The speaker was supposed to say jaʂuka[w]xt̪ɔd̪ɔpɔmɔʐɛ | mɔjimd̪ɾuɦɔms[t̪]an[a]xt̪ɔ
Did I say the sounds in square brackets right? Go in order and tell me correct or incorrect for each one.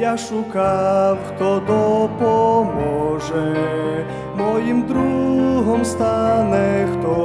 correct, correct, incorrect

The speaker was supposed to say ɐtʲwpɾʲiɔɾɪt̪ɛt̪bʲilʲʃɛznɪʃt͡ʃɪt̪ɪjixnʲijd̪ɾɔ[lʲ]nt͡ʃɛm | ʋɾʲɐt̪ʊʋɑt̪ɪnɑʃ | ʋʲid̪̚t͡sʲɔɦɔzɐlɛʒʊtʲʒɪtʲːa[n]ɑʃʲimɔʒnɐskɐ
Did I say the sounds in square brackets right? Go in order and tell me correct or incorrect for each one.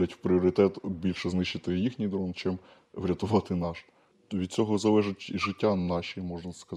incorrect, correct

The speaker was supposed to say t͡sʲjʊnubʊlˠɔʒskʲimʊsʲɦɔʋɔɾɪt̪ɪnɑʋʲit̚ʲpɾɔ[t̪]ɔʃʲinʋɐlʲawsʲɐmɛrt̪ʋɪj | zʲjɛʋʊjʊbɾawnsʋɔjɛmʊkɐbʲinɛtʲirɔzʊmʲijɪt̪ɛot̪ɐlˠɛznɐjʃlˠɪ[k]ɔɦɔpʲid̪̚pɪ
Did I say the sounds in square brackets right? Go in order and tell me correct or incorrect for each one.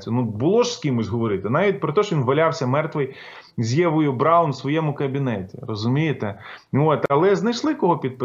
correct, correct

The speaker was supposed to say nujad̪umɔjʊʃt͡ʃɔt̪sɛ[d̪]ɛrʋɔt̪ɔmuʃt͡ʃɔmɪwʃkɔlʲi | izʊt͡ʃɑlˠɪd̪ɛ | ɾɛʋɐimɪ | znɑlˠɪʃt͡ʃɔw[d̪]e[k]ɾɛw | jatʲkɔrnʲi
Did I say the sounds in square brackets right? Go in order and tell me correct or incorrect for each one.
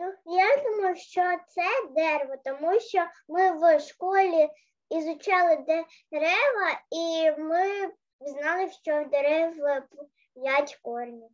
correct, correct, incorrect

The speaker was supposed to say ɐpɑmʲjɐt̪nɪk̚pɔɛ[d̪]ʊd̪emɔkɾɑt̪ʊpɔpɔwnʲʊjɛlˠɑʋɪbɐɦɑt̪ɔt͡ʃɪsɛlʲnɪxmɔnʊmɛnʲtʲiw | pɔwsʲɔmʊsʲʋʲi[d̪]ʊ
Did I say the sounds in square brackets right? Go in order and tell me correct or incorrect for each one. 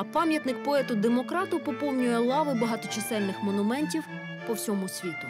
incorrect, incorrect

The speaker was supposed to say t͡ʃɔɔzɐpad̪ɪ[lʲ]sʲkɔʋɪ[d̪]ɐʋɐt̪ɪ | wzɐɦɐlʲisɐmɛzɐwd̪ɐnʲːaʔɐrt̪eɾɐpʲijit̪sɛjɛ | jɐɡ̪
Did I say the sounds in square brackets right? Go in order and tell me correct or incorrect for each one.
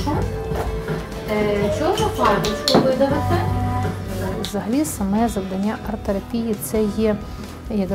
incorrect, correct

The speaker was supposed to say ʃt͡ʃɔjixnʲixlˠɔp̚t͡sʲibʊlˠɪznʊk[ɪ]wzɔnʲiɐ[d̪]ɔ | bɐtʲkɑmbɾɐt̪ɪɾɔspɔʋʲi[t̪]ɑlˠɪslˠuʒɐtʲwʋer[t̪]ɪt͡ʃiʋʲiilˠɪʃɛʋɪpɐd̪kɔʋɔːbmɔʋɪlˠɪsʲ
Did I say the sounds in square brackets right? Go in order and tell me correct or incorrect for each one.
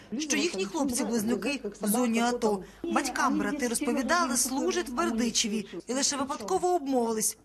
correct, incorrect, incorrect, incorrect

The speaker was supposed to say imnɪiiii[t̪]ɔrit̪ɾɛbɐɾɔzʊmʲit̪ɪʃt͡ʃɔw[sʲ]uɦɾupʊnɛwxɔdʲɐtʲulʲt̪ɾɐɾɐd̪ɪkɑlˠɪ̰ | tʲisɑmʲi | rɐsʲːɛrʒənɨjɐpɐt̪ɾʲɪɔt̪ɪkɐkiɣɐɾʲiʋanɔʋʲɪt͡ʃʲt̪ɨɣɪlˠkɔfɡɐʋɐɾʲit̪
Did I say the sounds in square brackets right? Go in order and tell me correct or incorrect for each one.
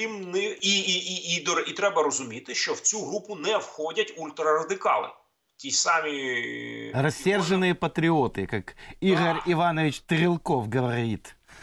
incorrect, incorrect

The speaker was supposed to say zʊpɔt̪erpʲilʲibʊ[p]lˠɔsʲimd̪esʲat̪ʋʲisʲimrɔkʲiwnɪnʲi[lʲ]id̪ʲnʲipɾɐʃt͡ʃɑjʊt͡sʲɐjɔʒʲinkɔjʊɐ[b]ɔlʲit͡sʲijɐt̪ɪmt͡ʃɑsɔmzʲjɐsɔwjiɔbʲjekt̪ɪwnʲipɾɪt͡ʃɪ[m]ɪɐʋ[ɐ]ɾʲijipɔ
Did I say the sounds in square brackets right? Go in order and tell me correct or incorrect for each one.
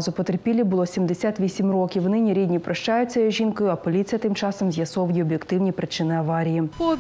incorrect, incorrect, incorrect, incorrect, incorrect

